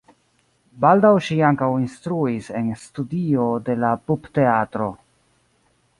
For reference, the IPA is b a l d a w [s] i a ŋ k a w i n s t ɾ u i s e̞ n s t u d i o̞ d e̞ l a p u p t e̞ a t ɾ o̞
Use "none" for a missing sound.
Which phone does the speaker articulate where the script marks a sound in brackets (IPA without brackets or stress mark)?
ʃ